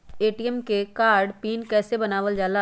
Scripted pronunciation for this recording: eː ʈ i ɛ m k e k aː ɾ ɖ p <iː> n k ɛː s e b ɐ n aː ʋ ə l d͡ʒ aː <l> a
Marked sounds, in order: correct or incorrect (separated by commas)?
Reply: correct, correct